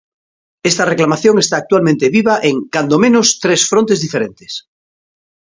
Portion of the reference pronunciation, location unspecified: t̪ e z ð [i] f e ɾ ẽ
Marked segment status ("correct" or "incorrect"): correct